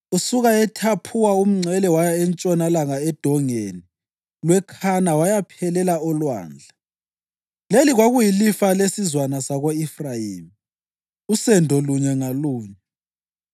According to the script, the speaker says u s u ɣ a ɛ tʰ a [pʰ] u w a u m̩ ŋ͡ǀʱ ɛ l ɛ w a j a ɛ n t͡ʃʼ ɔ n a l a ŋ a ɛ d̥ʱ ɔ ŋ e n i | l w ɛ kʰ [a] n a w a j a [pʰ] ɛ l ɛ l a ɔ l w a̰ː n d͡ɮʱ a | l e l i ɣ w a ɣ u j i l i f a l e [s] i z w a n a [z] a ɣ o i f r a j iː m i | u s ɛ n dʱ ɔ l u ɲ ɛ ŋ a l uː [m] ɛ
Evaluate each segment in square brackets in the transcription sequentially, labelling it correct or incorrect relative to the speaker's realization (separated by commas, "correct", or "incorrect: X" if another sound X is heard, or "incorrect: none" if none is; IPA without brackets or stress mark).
correct, correct, correct, correct, incorrect: s, incorrect: ɲ